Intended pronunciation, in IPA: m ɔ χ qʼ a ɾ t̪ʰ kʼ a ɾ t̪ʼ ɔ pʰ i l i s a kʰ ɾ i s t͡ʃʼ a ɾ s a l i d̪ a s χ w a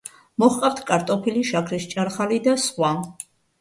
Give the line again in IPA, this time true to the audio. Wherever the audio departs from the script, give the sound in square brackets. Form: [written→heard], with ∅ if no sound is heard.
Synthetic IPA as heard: m ɔ χ qʼ a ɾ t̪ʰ kʼ a ɾ t̪ʼ ɔ pʰ i l i [s→ʃ] a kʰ ɾ i s t͡ʃʼ a ɾ [s→χ] a l i d̪ a s χ w a